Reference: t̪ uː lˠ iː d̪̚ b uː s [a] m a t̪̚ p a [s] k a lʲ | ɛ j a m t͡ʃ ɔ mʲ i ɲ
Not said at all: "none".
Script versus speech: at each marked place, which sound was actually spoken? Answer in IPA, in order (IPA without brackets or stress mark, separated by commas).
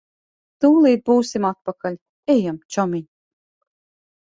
i, none